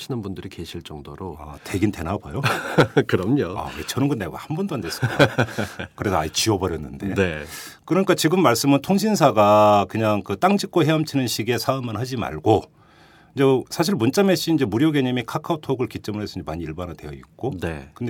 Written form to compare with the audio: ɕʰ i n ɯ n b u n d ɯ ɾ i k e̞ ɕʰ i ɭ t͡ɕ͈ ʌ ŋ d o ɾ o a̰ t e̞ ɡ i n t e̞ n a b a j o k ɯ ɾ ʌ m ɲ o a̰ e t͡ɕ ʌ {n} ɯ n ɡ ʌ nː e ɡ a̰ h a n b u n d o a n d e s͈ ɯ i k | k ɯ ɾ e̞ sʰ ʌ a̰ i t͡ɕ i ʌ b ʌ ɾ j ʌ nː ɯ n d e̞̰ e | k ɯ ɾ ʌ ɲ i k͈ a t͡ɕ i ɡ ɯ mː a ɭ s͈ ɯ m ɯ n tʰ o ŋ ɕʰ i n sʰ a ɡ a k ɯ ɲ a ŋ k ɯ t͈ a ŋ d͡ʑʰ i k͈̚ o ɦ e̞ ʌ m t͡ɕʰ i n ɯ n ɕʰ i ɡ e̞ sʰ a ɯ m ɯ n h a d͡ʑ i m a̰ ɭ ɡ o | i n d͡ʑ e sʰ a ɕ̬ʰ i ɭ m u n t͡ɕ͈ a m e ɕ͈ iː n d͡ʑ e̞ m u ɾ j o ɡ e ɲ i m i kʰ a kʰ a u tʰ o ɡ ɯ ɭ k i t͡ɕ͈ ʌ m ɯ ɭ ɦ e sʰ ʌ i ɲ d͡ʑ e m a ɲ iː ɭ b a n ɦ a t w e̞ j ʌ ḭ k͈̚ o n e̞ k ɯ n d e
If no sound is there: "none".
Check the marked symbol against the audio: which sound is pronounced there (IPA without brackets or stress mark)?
n